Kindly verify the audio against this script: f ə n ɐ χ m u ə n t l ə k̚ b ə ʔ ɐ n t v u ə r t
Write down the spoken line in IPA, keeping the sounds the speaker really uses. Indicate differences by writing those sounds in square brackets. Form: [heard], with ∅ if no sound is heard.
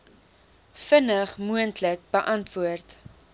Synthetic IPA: f ə n [ə] χ m u ə n t l ə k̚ b ə ʔ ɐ n t v u ə r t